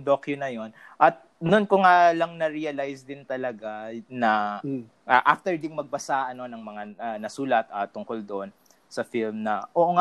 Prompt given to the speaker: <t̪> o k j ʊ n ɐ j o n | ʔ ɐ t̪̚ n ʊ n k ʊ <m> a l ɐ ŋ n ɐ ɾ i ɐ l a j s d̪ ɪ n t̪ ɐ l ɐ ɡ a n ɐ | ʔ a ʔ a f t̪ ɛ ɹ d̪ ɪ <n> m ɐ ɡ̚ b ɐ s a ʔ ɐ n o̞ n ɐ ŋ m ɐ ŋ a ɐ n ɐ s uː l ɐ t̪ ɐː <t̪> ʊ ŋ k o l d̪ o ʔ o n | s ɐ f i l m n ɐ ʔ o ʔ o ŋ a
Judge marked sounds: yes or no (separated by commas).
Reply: no, no, no, yes